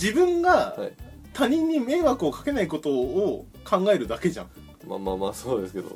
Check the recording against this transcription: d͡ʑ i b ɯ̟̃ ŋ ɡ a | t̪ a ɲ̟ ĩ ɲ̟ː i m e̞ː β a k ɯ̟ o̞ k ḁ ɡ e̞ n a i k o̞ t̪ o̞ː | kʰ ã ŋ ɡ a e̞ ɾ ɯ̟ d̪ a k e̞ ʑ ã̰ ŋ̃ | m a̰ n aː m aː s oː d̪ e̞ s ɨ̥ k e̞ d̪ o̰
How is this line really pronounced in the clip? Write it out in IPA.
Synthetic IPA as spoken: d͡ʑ i b ɯ̟̃ ŋ ɡ a | t̪ a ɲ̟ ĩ ɲ̟ː i m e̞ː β a k ɯ̟ o̞ k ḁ k e̞ n a i k o̞ t̪ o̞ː | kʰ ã ŋ ɡ a e̞ ɾ ɯ̟ d̪ a k e̞ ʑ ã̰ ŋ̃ | m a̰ m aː m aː s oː d̪ e̞ s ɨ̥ k e̞ d̪ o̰